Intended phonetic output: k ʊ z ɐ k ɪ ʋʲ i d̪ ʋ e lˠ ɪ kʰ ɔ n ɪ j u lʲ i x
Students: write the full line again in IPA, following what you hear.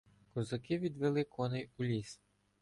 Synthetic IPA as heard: k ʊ z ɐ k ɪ ʋʲ i d̪ ʋ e lˠ ɪ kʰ ɔ n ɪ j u lʲ i s

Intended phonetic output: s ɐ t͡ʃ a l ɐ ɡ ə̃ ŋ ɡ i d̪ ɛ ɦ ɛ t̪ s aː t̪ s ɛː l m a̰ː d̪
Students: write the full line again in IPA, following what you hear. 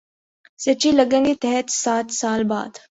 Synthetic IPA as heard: s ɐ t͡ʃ i l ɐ ɡ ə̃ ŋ ɡ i t̪ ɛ ɦ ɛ t̪ s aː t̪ s aː l b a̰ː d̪

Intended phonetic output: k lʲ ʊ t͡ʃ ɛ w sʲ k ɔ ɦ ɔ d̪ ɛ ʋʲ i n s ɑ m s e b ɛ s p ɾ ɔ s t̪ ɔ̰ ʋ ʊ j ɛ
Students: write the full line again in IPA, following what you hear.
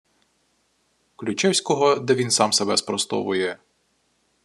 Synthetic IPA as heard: k lʲ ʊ t͡ʃ ɛ w sʲ k ɔ ɦ ɔ d̪ ɛ ʋʲ i n s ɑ m s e b ɛ s p ɾ ɔ s t̪ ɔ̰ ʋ ʊ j ɛ

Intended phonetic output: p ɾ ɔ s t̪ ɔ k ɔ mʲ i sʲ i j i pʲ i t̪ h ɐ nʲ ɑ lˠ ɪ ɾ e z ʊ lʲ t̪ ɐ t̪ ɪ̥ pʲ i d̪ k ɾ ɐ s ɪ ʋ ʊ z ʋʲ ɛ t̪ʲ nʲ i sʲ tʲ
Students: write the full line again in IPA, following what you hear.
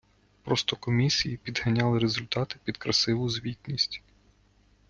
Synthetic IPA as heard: p ɾ ɔ s t̪ ɔ k ɔ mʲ i sʲ i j i pʲ i d̪ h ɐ nʲ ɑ lˠ ɪ ɾ e z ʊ lʲ t̪ ɑ t̪ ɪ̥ pʲ i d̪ k ɾ ɐ s ɪ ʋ ʊ z ʋʲ i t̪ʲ nʲ i sʲ tʲ

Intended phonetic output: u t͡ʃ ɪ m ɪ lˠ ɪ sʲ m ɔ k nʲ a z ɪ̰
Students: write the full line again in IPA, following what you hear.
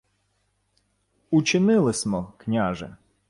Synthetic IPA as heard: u t͡ʃ ɪ n ɪ lˠ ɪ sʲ m ɔ k nʲ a ʒ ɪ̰

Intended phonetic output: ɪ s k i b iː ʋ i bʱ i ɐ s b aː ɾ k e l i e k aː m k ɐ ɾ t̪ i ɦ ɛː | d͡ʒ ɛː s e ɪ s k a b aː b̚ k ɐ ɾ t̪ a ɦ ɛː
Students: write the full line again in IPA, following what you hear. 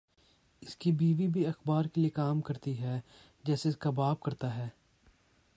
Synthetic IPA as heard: ɪ s k i b iː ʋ i bʱ i ɐ x b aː ɾ k e l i e k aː m k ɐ ɾ t̪ i ɦ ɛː | d͡ʒ ɛː s e ɪ s k a b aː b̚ k ɐ ɾ t̪ a ɦ ɛː

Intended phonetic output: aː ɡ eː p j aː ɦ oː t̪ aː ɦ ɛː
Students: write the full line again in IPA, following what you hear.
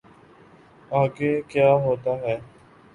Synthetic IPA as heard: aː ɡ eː k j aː ɦ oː t̪ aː ɦ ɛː

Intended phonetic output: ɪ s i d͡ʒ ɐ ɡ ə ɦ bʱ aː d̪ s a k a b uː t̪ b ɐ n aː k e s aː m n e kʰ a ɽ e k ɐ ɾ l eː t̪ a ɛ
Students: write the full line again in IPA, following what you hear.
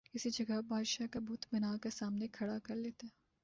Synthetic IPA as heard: ɪ s i d͡ʒ ɐ ɡ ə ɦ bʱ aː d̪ ʃ a k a b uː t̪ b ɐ n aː k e s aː m n e kʰ ɐ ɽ a k ɐ ɾ l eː t̪ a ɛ

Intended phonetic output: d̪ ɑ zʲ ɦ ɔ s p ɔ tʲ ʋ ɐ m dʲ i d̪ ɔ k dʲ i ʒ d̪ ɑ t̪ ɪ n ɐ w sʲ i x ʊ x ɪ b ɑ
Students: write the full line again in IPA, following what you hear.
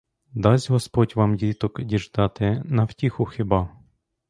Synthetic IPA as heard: d̪ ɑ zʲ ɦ ɔ s p ɔ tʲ ʋ ɑ m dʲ i t̪ ɔ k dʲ i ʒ d̪ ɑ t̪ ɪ n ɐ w tʲ i x ʊ x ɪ b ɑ

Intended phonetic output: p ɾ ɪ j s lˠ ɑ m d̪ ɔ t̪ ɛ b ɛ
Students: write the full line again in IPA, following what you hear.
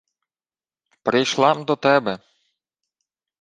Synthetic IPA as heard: p ɾ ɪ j ʃ lˠ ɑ m d̪ ɔ t̪ ɛ b ɛ

